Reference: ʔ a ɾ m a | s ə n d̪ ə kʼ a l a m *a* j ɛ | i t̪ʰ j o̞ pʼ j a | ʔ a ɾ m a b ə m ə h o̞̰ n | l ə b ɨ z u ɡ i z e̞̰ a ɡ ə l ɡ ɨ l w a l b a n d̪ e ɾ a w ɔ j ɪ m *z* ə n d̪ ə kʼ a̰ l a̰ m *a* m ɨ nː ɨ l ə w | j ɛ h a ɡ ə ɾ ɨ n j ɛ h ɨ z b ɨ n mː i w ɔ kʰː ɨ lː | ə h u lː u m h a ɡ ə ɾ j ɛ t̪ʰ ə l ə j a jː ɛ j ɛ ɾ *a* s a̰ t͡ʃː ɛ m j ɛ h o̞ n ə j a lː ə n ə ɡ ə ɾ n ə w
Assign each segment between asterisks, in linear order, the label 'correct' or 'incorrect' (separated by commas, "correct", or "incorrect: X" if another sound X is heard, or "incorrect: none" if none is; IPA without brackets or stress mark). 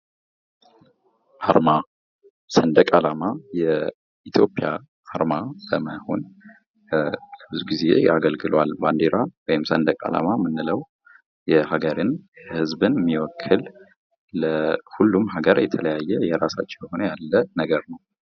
correct, incorrect: s, correct, correct